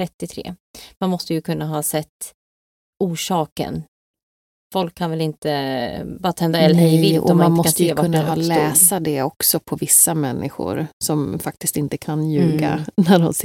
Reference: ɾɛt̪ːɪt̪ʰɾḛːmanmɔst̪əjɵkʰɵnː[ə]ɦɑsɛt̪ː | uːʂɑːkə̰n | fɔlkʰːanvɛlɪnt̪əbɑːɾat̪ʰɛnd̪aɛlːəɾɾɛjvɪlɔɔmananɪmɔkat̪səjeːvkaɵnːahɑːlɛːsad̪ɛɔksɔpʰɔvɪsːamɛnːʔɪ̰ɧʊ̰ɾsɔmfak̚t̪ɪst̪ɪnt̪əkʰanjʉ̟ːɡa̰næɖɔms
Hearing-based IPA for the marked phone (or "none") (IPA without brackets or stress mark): a